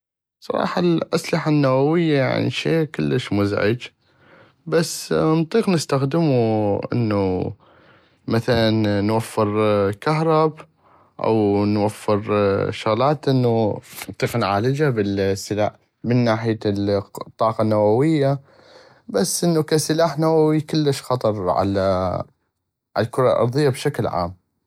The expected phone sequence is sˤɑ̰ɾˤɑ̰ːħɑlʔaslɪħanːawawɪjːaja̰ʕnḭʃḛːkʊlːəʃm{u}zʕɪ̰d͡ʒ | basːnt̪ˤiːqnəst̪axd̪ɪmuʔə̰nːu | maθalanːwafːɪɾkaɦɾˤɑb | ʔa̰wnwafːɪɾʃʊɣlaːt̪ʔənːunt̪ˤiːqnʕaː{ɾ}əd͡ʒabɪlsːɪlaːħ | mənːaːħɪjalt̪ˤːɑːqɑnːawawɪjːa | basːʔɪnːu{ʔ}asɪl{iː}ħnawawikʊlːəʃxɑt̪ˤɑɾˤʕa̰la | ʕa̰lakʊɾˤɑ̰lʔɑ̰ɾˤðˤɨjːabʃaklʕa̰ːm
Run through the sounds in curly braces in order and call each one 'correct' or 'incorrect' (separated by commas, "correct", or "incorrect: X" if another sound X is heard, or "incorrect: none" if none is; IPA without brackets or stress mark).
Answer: incorrect: ʊ, incorrect: l, incorrect: k, incorrect: aː